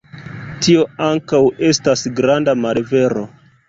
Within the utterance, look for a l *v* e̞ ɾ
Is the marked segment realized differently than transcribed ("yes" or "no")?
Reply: no